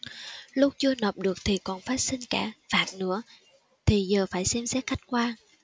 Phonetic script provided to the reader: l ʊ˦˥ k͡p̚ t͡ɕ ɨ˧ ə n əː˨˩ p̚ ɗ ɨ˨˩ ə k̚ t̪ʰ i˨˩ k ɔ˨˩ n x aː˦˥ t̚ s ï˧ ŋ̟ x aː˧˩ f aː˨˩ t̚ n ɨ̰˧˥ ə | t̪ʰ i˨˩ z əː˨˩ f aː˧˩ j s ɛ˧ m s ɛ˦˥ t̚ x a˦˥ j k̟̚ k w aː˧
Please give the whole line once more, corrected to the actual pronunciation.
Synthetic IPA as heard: l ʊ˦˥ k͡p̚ t͡ɕ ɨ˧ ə n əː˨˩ p̚ ɗ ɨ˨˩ ə k̚ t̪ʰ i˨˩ k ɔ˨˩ n f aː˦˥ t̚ s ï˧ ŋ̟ k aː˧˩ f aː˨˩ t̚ n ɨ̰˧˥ ə | t̪ʰ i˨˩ z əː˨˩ f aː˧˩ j s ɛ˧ m s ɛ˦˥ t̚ x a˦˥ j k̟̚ k w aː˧

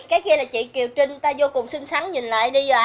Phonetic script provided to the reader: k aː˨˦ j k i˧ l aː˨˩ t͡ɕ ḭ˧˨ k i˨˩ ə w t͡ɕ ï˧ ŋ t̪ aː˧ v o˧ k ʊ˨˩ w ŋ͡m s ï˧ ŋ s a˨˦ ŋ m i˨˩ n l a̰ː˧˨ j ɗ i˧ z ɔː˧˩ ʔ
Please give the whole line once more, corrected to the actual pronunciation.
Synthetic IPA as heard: k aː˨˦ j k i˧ l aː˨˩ t͡ɕ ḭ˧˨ k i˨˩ ə w t͡ɕ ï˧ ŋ t̪ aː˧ z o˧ k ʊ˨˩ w ŋ͡m s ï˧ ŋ s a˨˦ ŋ ɲ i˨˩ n l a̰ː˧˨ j ɗ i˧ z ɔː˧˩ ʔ

